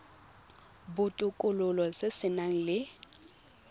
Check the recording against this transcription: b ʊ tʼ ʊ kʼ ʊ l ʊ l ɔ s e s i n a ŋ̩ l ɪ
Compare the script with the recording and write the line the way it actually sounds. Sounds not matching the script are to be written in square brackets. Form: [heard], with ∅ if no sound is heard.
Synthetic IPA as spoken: b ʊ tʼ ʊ kʼ ʊ l ʊ l ɔ s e s [ɪ] n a ŋ̩ l ɪ